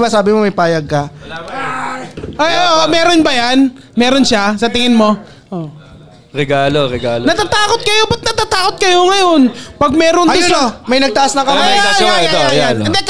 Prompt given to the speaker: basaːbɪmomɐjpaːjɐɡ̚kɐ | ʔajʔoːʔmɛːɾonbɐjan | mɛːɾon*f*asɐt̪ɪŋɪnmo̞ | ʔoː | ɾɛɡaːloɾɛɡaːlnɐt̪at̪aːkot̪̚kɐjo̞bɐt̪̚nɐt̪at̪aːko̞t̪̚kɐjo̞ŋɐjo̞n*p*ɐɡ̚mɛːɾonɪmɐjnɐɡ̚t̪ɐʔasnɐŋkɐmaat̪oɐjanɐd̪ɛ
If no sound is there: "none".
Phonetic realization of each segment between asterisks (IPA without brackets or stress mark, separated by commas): ʃ, p